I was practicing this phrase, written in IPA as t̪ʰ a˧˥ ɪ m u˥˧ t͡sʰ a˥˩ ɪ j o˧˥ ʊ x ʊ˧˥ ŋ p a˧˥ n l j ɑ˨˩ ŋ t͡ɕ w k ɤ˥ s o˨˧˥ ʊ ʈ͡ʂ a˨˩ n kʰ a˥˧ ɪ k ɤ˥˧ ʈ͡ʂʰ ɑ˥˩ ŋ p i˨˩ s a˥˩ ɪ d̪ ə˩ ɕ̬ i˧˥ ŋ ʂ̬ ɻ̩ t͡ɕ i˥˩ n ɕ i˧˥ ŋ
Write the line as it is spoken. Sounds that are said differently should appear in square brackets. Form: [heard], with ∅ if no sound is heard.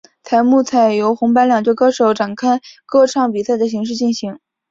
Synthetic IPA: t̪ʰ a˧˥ ɪ m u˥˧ t͡sʰ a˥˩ ɪ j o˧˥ ʊ x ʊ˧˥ ŋ p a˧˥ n l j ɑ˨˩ ŋ t͡ɕ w k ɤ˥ [ʂ] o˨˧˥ ʊ ʈ͡ʂ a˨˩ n kʰ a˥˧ ɪ k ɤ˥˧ ʈ͡ʂʰ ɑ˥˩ ŋ p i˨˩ s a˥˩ ɪ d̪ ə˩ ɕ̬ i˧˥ ŋ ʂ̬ ɻ̩ t͡ɕ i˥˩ n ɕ i˧˥ ŋ